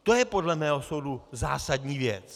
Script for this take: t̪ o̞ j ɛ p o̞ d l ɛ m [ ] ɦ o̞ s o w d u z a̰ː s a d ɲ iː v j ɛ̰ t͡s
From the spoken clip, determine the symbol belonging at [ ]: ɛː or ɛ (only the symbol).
ɛː